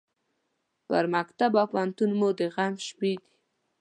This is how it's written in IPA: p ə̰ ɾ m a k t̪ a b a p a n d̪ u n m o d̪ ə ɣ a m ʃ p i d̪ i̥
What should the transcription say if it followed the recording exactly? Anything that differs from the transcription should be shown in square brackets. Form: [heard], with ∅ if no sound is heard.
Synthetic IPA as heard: p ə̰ ɾ m a k t̪ a b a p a n [t̪] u n m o d̪ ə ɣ a m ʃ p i d̪ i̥

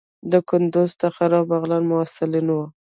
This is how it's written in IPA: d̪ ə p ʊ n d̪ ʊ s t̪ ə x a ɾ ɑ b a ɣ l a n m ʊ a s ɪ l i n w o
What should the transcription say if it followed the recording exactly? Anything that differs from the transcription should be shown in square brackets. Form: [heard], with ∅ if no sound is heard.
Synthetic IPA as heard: d̪ ə [k] ʊ n d̪ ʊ [z] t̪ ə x a ɾ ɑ b a ɣ l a n m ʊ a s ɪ l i n w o

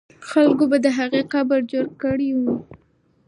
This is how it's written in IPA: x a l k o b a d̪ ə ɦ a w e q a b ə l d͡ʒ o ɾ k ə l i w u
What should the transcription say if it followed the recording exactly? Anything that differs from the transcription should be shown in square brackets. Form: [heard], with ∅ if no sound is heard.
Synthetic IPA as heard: x a l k o b a d̪ ə ɦ a [ɣ] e q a b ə [ɾ] d͡ʒ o ɾ k ə [ɽ] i w u

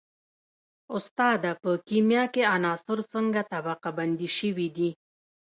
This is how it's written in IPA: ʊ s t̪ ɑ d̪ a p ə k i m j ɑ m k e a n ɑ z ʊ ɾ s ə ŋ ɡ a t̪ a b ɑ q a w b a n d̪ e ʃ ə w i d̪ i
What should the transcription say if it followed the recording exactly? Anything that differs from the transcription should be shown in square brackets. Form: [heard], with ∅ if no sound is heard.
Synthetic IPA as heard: ʊ s t̪ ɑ d̪ a p ə k i m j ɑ [∅] k e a n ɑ [s] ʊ ɾ s ə ŋ ɡ a t̪ a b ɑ q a [∅] b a n d̪ [i] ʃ ə w i d̪ i

